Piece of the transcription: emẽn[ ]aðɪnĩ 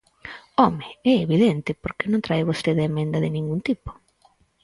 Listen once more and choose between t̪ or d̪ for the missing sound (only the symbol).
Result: d̪